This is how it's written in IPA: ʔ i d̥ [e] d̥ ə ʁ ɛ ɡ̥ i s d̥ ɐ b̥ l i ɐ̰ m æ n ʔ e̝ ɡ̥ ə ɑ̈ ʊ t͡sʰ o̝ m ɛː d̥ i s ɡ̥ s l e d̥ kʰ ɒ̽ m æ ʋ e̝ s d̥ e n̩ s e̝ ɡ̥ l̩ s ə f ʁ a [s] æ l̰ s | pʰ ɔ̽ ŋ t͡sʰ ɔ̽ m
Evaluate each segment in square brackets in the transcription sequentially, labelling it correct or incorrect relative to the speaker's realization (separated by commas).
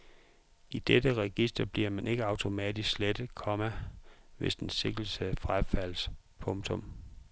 correct, incorrect